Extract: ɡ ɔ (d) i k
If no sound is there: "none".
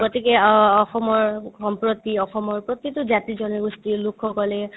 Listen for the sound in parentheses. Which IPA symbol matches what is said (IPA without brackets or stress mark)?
t